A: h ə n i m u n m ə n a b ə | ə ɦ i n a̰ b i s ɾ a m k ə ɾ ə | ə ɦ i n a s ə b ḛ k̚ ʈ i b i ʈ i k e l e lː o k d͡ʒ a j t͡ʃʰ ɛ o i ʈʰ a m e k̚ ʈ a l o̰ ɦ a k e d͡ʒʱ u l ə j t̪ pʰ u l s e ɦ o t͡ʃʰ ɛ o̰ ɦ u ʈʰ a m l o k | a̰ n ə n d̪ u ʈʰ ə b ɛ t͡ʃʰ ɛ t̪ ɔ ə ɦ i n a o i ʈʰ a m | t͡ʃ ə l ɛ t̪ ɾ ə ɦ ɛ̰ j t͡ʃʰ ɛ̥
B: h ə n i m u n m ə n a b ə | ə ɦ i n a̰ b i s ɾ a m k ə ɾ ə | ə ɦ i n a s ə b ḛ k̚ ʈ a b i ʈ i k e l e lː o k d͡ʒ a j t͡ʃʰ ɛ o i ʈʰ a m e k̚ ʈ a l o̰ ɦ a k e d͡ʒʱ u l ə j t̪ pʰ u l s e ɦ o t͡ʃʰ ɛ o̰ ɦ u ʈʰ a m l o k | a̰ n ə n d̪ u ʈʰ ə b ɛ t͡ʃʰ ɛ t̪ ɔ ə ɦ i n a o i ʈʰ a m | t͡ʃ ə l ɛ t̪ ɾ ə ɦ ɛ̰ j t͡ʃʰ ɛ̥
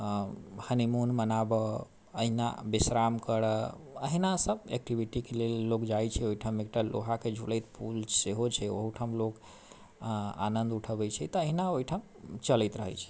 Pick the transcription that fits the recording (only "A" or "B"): A